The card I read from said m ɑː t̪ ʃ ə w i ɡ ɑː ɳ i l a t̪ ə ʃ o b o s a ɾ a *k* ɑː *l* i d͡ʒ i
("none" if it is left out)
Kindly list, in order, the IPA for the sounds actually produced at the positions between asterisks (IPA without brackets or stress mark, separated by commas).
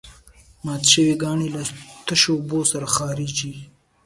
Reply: x, ɾ